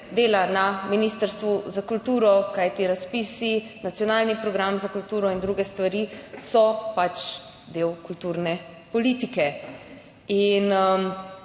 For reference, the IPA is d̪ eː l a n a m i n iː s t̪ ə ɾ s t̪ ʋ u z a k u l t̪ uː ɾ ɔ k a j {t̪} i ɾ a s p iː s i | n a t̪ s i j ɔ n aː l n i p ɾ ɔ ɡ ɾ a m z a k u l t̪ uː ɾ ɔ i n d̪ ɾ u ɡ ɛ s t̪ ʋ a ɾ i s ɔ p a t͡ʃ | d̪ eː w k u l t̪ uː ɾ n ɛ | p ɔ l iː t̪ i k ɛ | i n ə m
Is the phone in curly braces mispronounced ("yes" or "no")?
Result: no